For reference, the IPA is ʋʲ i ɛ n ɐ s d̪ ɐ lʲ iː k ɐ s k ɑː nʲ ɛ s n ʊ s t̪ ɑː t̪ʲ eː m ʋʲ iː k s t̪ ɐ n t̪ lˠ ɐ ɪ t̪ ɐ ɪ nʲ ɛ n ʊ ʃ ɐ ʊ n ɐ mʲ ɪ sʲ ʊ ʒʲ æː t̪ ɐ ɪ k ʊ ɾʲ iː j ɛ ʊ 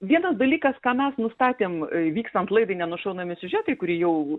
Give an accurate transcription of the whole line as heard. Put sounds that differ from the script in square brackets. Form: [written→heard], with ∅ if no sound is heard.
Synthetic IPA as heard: ʋʲ i ɛ n ɐ s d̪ ɐ lʲ iː k ɐ s k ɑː [nʲ→mʲ] ɛ s n ʊ s t̪ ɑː t̪ʲ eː m ʋʲ iː k s t̪ ɐ n t̪ lˠ ɐ ɪ [t̪→d̪] ɐ ɪ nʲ ɛ n ʊ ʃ ɐ ʊ n ɐ mʲ ɪ sʲ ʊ ʒʲ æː t̪ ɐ ɪ k ʊ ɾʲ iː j ɛ ʊ